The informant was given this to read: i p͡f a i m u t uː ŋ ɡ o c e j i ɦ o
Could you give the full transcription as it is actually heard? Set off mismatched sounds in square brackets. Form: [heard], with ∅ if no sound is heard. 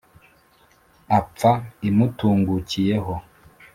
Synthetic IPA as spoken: [a] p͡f a i m u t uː ŋ ɡ [u] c [i] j [e] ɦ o